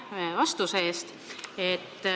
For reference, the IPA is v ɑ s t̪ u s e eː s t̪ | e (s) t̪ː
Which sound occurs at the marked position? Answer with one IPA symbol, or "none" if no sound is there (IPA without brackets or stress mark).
none